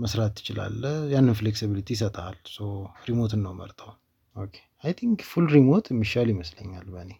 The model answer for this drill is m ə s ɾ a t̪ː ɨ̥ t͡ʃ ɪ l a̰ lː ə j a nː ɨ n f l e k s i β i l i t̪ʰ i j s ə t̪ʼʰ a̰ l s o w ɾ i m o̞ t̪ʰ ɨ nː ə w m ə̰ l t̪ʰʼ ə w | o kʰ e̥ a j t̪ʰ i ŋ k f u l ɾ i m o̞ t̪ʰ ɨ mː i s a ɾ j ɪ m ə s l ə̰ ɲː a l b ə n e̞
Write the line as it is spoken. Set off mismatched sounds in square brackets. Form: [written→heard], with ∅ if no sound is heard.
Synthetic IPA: m ə s ɾ a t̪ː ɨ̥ t͡ʃ ɪ l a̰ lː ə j a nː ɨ n f l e k s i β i l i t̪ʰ i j s ə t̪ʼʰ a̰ l s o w ɾ i m o̞ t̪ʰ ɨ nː ə w m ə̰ [l→ɾ] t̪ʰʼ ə w | o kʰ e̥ a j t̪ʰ i ŋ k f u l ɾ i m o̞ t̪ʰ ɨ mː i [s→ʃ] a [ɾ→l] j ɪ m ə s l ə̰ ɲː a l b ə n e̞